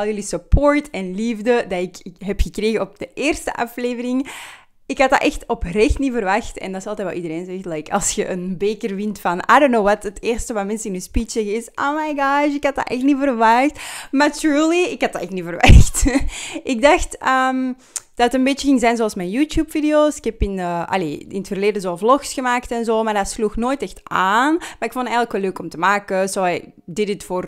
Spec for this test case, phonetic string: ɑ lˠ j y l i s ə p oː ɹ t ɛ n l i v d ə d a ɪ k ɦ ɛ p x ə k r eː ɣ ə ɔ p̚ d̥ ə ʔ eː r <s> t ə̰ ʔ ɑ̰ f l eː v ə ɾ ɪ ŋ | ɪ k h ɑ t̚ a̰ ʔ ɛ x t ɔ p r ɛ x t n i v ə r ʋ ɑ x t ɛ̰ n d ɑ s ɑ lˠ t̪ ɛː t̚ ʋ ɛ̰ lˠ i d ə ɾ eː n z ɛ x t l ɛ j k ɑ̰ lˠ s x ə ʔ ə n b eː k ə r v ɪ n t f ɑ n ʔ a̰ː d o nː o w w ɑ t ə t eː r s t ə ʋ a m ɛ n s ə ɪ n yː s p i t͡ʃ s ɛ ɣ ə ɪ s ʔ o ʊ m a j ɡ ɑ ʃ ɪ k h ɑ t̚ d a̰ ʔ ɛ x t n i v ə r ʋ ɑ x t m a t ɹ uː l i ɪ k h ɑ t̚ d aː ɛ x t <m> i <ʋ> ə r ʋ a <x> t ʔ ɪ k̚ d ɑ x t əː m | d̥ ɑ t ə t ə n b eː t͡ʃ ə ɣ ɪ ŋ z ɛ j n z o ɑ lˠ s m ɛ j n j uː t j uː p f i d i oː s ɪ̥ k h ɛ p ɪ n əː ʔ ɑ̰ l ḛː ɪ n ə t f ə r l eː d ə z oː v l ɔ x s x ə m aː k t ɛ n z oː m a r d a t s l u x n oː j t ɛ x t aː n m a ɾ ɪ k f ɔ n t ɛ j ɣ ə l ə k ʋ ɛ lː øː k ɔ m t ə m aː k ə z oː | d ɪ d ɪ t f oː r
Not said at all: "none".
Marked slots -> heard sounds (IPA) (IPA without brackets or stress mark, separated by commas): s, n, v, x